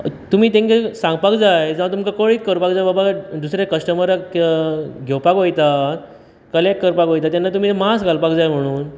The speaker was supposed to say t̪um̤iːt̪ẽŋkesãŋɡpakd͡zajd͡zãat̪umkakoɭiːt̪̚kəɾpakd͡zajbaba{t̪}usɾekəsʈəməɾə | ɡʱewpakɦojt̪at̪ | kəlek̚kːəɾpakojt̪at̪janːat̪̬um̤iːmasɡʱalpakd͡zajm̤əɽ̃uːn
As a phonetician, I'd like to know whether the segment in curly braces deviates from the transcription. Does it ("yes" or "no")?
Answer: yes